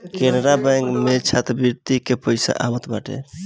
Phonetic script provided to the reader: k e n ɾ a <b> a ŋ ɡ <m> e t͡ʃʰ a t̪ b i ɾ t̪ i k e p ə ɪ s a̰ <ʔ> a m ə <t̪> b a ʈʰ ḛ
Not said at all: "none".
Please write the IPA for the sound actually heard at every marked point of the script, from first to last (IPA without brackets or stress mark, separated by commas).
b, m, ʔ, t̪